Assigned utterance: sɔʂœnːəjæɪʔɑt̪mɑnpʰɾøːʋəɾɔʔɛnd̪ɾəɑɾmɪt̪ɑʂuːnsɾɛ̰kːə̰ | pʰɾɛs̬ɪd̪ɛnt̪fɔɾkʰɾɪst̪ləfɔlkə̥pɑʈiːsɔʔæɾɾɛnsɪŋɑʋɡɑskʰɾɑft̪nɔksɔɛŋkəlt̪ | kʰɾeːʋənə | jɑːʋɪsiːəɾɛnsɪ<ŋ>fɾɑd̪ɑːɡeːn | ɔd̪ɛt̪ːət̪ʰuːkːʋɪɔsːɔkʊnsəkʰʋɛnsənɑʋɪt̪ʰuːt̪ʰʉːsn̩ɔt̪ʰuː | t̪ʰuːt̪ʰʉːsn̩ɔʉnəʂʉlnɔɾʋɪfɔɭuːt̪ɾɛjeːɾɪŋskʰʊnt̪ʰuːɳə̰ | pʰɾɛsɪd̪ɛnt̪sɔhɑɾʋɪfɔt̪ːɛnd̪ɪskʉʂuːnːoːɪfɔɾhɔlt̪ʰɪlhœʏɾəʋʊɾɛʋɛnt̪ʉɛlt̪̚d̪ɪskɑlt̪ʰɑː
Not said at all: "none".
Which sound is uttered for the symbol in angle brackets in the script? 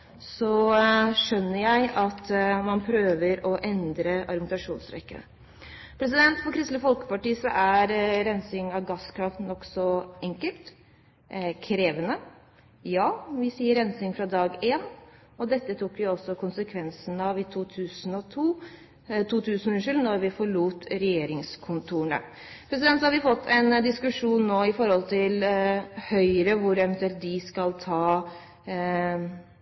ŋ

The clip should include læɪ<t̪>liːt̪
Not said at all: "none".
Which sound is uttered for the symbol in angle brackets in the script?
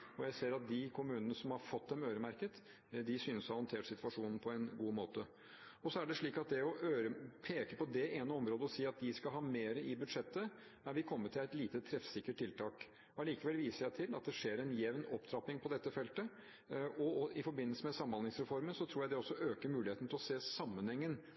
t̪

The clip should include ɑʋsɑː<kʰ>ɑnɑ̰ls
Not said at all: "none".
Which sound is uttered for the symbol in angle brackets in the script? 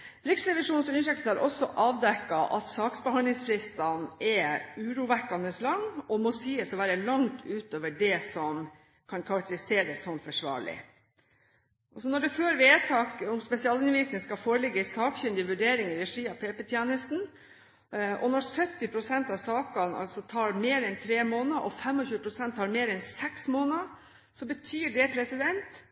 k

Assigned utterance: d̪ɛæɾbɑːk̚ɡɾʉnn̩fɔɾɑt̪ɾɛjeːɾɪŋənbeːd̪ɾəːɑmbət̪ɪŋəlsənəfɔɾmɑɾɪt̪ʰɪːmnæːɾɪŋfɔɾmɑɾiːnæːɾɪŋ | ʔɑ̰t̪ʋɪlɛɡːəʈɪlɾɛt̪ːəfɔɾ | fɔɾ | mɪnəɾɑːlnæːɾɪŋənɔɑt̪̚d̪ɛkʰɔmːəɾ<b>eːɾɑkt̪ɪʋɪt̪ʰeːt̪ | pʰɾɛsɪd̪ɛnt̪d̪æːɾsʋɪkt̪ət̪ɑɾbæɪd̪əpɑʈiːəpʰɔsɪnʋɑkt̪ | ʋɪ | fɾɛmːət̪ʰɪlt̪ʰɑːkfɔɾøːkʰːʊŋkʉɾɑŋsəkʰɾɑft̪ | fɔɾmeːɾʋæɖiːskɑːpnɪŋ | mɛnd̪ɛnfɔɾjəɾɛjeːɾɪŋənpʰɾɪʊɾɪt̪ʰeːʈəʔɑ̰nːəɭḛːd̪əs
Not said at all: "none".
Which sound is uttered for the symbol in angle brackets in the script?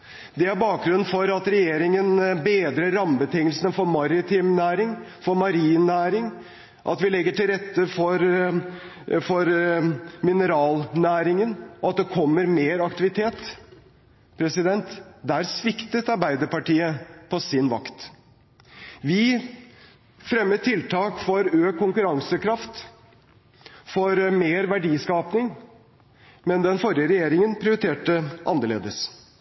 m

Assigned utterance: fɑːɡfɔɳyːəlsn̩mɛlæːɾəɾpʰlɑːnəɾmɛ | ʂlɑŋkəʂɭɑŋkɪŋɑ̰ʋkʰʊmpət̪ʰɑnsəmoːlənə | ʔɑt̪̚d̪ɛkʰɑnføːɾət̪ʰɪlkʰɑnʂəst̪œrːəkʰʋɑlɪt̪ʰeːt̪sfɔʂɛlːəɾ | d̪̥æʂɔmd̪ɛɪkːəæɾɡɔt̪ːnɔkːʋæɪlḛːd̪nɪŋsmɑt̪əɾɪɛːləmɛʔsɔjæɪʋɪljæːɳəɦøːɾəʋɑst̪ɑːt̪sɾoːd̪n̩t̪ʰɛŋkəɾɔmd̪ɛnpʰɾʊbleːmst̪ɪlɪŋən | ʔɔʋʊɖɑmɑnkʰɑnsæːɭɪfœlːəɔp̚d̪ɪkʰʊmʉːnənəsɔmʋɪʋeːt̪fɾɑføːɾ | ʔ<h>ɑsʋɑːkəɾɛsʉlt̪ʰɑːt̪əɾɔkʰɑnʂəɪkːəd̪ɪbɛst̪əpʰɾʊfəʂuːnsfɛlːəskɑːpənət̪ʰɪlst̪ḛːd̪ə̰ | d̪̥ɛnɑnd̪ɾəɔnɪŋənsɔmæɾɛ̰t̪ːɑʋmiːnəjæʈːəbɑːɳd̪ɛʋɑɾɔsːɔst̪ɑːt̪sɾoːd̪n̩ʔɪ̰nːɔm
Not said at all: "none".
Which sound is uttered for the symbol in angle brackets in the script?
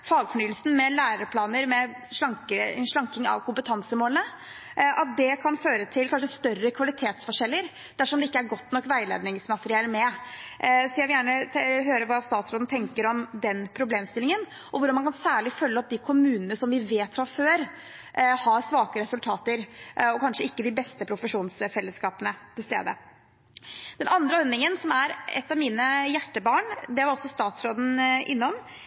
h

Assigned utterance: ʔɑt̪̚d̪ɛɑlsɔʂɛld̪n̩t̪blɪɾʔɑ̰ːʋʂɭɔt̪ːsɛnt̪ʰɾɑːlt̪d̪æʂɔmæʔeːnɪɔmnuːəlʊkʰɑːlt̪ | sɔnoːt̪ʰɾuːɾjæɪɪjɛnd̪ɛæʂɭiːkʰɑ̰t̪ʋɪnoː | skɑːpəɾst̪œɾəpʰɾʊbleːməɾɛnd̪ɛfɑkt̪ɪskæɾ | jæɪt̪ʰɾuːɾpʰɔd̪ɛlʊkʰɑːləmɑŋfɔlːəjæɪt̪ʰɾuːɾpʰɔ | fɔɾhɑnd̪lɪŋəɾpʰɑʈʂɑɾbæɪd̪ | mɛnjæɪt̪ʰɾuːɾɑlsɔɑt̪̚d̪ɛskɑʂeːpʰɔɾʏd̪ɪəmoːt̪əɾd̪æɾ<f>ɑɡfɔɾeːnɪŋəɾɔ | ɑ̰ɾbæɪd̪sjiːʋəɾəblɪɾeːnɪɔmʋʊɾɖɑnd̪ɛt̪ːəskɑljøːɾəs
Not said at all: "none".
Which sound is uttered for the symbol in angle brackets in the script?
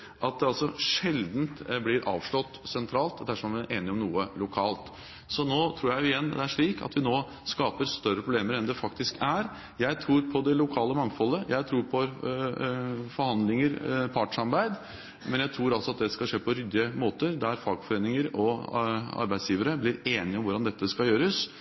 f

